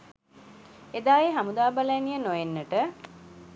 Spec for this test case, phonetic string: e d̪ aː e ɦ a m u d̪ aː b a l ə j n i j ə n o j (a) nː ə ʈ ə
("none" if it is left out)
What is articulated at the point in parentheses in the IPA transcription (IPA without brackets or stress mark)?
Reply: e